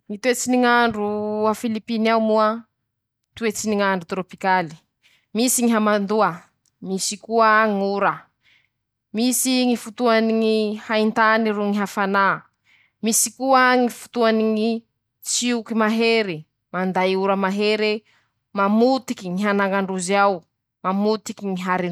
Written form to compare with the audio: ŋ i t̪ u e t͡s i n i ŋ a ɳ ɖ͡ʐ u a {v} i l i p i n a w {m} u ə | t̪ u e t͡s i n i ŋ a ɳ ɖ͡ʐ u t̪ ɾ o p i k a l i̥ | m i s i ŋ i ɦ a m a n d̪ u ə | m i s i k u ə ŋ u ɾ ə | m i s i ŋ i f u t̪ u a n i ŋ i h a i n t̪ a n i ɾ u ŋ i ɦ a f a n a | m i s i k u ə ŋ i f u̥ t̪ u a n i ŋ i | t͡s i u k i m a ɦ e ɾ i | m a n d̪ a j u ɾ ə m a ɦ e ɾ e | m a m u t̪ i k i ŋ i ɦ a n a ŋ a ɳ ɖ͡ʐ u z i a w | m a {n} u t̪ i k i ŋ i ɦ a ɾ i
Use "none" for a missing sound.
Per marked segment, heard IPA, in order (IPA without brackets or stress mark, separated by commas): f, m, m